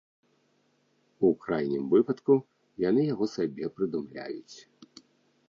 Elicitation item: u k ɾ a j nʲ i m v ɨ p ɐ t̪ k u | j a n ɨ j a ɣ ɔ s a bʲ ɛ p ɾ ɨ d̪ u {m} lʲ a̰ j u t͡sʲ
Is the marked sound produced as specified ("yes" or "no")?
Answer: yes